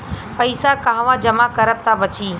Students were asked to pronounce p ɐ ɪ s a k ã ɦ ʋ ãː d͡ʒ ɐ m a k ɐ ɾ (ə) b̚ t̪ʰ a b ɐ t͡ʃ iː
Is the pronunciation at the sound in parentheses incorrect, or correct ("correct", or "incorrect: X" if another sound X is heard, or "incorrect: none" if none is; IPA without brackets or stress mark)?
correct